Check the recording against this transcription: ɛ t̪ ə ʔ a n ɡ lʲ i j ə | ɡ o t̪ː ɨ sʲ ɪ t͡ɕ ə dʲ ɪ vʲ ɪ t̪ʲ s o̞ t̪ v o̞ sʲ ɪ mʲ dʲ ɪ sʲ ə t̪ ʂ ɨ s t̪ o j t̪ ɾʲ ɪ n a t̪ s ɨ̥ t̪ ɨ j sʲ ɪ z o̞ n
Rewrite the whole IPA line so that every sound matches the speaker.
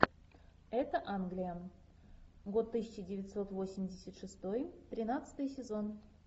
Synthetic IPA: ɛ t̪ ə ʔ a n ɡ lʲ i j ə | ɡ o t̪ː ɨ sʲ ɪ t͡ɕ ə dʲ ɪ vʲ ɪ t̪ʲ s o̞ t̪ v o̞ sʲ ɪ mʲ dʲ ɪ sʲ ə t̪ ʂ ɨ s t̪ o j t̪ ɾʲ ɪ n a t̪ s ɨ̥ t̪ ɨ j sʲ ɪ z o̞ n